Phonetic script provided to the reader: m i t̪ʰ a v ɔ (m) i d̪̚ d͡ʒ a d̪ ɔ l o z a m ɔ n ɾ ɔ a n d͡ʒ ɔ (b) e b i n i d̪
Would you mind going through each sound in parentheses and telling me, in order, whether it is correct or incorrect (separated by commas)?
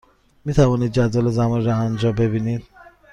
incorrect, correct